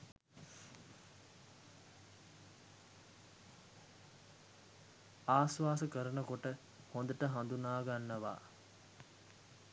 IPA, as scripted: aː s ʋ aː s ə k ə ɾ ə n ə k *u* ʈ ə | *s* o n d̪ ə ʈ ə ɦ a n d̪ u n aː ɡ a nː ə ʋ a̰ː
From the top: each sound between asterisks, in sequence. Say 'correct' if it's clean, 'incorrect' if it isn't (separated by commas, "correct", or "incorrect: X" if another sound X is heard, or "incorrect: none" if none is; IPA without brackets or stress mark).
incorrect: o, incorrect: h